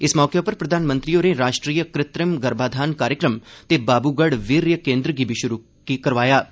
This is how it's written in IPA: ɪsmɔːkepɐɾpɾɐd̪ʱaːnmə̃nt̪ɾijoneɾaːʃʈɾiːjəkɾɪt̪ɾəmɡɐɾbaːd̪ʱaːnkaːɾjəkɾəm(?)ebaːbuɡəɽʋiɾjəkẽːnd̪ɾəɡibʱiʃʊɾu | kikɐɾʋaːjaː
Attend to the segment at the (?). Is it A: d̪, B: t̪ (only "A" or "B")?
B